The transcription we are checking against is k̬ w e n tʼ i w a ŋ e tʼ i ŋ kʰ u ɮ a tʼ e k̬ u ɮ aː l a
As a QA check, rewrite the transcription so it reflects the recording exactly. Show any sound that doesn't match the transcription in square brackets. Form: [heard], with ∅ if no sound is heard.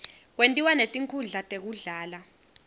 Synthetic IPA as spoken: k̬ w e n tʼ i w a [n] e tʼ i ŋ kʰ u ɮ a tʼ e k̬ u ɮ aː l a